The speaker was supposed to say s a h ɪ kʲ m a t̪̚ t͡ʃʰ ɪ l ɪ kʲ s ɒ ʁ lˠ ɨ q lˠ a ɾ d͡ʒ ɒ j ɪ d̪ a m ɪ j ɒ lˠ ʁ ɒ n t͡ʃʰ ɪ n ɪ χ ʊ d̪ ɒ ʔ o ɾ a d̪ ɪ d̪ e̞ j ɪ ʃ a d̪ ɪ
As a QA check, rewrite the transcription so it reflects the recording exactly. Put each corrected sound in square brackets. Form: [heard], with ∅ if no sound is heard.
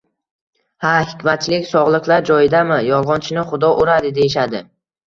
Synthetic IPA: [h] a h ɪ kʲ m a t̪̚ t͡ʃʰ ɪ l ɪ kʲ s ɒ ʁ lˠ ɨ q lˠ a ɾ d͡ʒ ɒ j ɪ d̪ a m ɪ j ɒ lˠ ʁ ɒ n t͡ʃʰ ɪ n ɪ χ ʊ d̪ ɒ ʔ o ɾ a d̪ ɪ d̪ e̞ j ɪ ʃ a d̪ ɪ